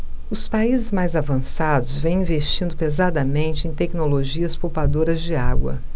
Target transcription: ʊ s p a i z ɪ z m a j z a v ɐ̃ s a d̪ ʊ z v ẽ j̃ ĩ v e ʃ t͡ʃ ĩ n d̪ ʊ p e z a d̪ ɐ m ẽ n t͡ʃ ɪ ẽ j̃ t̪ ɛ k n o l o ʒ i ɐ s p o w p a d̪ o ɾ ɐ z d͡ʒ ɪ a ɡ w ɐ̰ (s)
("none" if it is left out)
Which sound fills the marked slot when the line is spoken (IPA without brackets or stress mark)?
none